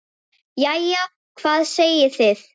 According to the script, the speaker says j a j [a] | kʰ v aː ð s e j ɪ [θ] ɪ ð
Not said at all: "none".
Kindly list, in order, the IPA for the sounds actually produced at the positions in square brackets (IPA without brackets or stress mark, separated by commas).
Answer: a, θ